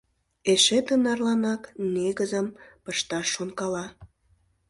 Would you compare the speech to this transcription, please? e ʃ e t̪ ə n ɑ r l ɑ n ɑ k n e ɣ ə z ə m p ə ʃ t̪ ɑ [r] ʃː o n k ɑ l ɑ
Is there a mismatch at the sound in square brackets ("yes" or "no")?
yes